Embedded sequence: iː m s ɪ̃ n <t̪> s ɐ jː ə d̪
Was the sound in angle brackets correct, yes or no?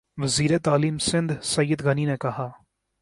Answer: no